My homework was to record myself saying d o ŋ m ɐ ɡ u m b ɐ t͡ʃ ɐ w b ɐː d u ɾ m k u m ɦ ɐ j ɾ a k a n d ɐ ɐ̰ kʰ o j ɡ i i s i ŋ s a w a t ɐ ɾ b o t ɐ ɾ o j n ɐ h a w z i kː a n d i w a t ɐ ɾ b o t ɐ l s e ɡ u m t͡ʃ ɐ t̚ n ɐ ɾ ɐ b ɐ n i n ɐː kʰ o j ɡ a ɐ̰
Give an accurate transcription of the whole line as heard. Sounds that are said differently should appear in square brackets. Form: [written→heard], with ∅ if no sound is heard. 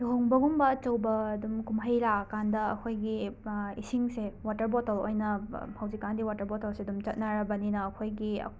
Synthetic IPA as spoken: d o ŋ [m→b] ɐ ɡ u m b ɐ t͡ʃ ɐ w b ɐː d u [ɾ→∅] m k u m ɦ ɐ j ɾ a k a n d ɐ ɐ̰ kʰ o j ɡ i i s i ŋ s [a→e] w a t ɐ ɾ b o t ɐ [ɾ→l] o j n ɐ h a w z i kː a n d i w a t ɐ ɾ b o t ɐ l s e [ɡ→d] u m t͡ʃ ɐ t̚ n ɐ ɾ ɐ b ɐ n i n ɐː kʰ o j ɡ [a→i] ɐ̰